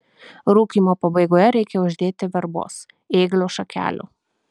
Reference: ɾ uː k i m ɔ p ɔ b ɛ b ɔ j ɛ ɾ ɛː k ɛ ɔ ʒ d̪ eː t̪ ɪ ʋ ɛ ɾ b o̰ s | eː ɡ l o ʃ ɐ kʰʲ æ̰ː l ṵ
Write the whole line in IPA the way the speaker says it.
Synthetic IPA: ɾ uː k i m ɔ p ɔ b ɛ ɡ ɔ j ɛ ɾ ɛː k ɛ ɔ ʒ d̪ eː t̪ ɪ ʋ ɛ ɾ b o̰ s | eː ɡ l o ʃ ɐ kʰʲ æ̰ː l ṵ